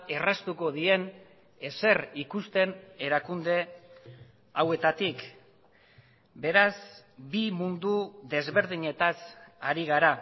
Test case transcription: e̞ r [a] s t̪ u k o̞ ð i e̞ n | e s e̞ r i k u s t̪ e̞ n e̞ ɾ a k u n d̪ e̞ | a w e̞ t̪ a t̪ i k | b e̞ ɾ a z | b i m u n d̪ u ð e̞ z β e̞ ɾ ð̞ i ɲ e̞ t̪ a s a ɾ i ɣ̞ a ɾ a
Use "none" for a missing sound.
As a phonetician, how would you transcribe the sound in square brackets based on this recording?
a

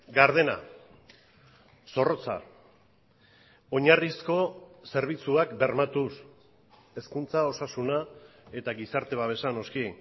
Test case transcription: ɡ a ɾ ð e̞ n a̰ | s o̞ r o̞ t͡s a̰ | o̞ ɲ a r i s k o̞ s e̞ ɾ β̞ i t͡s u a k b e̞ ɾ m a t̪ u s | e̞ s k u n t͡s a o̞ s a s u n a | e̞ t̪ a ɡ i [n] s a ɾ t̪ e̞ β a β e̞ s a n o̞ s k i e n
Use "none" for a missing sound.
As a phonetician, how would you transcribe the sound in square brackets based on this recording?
none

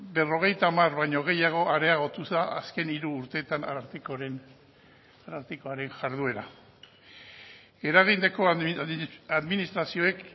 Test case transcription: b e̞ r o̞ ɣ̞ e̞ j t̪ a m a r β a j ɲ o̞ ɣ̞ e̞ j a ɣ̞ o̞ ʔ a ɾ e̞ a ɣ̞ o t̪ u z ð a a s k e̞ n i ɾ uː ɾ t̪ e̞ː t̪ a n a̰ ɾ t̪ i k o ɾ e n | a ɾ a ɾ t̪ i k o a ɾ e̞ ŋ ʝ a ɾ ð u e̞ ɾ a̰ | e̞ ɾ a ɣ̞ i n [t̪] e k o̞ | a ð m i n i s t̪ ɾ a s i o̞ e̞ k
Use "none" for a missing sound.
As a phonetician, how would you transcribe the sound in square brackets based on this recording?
d̪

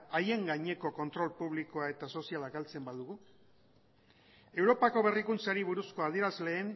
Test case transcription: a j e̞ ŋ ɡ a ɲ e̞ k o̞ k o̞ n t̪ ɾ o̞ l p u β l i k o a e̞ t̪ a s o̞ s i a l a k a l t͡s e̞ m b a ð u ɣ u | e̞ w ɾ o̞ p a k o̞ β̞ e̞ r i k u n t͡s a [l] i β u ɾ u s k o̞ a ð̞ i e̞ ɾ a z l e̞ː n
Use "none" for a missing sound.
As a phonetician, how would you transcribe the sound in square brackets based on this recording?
ɾ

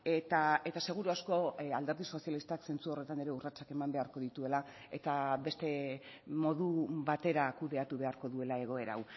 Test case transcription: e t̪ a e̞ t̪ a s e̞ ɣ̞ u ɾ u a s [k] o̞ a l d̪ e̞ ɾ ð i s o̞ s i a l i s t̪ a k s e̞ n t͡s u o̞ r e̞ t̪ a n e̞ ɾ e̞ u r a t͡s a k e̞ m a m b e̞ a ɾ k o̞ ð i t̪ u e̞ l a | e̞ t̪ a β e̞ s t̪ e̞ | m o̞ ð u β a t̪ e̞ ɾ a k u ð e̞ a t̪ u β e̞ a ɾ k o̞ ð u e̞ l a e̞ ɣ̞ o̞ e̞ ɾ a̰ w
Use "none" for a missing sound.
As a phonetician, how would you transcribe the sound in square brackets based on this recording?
k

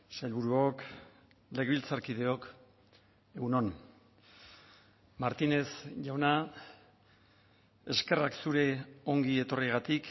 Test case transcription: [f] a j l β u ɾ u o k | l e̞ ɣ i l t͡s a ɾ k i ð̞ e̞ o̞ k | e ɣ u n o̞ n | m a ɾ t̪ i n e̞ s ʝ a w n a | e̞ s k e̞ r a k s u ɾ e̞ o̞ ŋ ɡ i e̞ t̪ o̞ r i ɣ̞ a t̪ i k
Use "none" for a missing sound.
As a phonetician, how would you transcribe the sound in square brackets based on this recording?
s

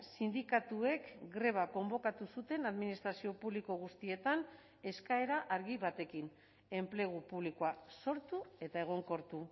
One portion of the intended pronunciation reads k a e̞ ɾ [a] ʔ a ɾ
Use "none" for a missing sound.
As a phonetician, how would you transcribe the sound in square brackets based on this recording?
a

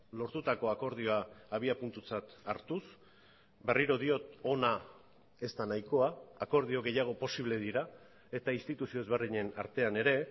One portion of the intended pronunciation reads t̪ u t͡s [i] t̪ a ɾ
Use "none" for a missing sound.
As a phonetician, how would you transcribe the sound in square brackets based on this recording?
a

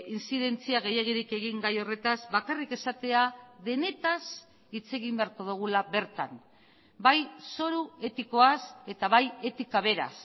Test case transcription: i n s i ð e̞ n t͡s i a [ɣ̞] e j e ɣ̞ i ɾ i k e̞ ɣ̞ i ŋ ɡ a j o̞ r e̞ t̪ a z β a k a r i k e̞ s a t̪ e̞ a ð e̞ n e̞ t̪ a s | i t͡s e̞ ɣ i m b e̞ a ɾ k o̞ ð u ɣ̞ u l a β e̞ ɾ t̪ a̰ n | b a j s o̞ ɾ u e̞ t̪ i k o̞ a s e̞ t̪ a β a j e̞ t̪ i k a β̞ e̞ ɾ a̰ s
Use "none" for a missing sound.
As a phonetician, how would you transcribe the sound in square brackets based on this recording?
ɣ̞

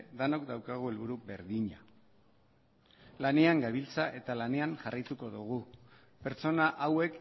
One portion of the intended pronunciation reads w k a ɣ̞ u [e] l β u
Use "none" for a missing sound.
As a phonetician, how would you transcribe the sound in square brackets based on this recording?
e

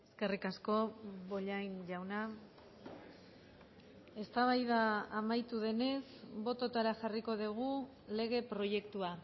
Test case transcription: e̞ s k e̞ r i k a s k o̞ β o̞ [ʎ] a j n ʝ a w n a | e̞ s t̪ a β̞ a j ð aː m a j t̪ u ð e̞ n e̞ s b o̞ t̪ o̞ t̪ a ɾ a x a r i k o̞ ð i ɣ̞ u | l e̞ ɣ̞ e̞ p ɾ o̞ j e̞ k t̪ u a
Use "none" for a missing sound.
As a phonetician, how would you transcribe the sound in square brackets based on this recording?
ʎ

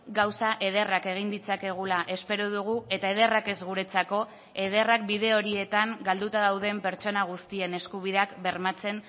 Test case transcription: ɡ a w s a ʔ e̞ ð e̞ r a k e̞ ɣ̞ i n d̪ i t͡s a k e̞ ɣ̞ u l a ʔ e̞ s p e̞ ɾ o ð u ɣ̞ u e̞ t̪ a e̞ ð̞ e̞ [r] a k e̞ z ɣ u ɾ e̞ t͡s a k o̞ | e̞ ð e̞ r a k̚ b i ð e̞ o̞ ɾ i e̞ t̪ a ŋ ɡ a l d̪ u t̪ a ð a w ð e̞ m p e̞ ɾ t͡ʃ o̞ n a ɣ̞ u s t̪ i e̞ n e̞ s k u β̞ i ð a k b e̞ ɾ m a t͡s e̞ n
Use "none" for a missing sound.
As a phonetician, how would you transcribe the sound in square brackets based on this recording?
r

